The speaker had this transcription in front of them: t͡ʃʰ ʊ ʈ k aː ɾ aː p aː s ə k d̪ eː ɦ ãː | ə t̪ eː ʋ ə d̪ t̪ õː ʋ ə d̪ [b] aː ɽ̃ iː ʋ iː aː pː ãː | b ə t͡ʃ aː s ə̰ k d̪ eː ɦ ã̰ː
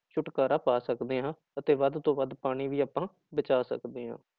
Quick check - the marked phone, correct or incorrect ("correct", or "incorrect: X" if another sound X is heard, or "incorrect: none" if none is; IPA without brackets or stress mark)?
incorrect: p